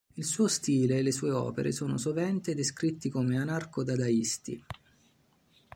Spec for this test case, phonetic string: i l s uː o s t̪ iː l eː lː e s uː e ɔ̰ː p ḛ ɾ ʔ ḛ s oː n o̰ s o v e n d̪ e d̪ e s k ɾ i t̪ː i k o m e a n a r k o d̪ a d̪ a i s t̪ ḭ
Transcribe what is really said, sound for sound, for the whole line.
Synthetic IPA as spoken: i l s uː o s t̪ iː l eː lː e s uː e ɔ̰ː p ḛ ɾ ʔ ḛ s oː n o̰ s o v ɛ n t̪ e d̪ e s k ɾ i t̪ː i k o m e a n a r k o d̪ a d̪ a i s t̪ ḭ